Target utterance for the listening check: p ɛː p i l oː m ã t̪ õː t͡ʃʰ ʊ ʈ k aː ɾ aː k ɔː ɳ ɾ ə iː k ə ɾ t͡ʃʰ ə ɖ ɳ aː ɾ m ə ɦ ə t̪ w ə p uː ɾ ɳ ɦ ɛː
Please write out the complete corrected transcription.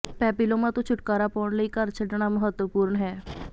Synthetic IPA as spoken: p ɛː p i l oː m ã t̪ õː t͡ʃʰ ʊ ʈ k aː ɾ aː p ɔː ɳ l ə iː k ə ɾ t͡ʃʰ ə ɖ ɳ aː m ə ɦ ə t̪ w ə p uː ɾ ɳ ɦ ɛː